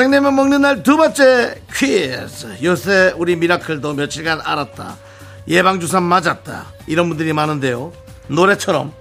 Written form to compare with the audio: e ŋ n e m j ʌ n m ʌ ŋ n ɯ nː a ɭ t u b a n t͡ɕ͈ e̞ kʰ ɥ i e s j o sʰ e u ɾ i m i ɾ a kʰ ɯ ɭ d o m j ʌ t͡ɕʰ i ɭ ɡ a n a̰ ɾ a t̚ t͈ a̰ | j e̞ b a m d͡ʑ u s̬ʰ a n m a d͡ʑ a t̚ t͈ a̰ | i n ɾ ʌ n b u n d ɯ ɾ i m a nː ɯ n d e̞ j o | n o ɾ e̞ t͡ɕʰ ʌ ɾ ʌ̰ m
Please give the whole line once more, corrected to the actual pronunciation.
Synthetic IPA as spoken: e ŋ n e m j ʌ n m ʌ ŋ n ɯ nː a ɭ t u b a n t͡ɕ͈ e̞ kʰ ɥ i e s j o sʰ e u ɾ i m i ɾ a kʰ ɯ ɭ d o m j ʌ t͡ɕʰ i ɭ ɡ a n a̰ ɾ a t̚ t͈ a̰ | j e̞ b a ŋ d͡ʑ u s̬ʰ a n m a d͡ʑ a t̚ t͈ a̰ | i ɾ ʌ n b u n d ɯ ɾ i m a n ɯ n d e̞ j o | n o ɾ e̞ t͡ɕʰ ʌ ɾ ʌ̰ m